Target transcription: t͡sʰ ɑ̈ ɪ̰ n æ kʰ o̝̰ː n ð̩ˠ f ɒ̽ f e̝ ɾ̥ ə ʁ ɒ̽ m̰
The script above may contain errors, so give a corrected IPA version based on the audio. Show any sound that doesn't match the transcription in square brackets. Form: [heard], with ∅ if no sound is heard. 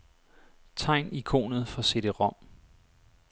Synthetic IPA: t͡sʰ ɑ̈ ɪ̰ n [i] kʰ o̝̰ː n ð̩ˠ f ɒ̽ [s] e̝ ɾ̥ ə ʁ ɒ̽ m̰